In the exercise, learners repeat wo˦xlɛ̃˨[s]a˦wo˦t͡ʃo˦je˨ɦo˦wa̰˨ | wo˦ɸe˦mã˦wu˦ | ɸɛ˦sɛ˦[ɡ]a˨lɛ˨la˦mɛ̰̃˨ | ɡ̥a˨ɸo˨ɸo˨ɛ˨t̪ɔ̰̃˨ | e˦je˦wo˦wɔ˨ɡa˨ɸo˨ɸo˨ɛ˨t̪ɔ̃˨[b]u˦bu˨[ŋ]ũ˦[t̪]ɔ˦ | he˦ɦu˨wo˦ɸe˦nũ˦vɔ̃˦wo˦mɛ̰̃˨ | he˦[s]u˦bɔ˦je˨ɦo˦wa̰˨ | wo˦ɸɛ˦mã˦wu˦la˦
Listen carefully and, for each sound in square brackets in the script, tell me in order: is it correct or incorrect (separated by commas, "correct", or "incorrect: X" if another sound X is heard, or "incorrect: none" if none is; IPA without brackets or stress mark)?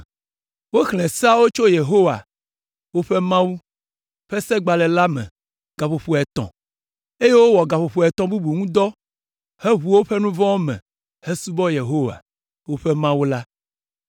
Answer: correct, incorrect: ɡ͡b, correct, correct, incorrect: d̪, correct